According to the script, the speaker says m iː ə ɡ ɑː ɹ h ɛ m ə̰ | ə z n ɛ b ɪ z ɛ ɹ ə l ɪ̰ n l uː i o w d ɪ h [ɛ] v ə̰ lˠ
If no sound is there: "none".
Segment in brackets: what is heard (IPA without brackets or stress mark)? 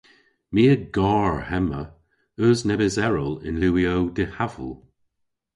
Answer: a